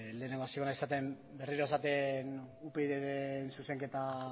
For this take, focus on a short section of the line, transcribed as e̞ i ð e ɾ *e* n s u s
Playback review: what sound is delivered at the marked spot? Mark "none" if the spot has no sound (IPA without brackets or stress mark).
e